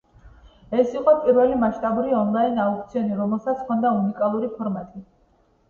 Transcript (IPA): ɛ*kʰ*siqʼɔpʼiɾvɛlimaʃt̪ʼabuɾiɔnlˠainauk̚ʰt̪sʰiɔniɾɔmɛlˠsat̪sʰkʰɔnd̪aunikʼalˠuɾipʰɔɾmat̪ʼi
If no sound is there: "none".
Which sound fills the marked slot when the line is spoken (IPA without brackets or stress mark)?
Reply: none